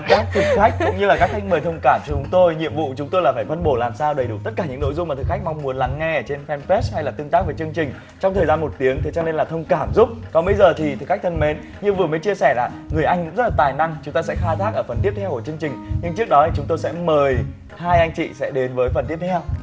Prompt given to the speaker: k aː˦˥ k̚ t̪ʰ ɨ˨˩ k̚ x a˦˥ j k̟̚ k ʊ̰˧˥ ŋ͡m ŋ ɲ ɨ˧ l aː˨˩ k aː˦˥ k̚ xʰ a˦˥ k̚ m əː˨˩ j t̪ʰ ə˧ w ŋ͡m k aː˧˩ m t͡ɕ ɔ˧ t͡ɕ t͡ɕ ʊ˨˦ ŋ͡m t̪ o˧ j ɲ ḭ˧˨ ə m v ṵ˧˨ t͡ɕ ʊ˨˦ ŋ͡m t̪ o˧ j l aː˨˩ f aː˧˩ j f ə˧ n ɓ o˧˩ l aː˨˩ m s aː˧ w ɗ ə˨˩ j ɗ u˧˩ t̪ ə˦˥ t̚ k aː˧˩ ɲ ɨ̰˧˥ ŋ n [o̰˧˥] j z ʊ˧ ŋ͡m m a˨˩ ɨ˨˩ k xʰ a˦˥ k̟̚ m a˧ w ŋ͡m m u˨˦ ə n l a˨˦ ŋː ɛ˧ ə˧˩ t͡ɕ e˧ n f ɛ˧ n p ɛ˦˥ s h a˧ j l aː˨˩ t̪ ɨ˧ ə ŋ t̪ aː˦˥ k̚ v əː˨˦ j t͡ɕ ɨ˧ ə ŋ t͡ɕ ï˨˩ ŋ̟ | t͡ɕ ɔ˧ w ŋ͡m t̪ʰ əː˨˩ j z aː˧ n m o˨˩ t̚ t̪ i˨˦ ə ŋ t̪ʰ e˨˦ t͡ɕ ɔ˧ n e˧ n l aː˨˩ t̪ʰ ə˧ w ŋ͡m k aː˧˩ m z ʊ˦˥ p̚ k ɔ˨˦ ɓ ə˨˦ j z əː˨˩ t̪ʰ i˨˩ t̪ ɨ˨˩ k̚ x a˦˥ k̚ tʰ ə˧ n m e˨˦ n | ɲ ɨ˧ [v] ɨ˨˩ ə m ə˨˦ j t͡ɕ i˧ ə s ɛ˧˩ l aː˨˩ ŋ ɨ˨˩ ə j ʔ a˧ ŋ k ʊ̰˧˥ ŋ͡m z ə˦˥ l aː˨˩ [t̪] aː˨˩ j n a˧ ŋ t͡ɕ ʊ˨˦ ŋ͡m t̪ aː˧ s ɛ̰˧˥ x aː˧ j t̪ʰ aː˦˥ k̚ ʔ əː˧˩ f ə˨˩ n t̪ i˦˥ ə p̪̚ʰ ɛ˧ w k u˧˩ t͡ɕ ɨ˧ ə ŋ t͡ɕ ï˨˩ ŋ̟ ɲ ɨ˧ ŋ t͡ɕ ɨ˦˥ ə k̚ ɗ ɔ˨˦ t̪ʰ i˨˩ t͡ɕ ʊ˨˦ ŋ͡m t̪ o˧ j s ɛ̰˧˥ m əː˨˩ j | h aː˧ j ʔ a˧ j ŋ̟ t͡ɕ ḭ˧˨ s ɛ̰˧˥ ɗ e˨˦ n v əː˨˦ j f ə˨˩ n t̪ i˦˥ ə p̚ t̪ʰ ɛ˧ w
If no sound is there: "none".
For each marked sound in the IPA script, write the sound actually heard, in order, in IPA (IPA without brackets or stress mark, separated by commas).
o̰˧˥, v, t̪